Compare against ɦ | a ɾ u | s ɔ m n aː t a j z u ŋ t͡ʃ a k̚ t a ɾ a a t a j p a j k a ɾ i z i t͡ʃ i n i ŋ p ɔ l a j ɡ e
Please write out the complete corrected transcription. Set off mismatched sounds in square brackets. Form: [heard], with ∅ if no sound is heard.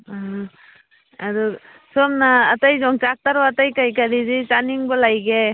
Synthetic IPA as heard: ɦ | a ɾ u | s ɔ m n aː t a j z [ɔ] ŋ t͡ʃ a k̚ t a ɾ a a t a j [k] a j k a ɾ i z i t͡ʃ [a] n i ŋ [b] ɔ l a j ɡ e